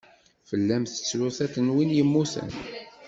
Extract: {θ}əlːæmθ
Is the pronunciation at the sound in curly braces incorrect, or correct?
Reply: incorrect